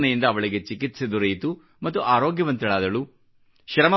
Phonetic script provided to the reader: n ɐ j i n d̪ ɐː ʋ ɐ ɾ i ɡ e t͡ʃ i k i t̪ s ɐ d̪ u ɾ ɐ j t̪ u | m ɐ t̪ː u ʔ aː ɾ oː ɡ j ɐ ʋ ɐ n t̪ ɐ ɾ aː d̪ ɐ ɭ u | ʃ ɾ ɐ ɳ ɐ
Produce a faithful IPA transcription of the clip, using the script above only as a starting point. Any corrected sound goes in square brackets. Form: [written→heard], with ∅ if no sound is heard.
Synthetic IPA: n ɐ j i n d̪ ɐː ʋ ɐ [ɾ→ɭ] i ɡ e t͡ʃ i k i t̪ s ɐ d̪ u ɾ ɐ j t̪ u | m ɐ t̪ː u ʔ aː ɾ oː ɡ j ɐ ʋ ɐ n t̪ ɐ [ɾ→ɭ] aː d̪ ɐ ɭ u | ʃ ɾ ɐ [ɳ→m] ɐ